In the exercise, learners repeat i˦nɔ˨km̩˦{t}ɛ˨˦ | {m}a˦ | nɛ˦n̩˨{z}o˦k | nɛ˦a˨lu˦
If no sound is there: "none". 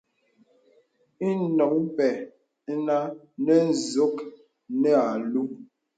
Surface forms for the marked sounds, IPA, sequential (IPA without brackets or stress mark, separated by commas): p, n, z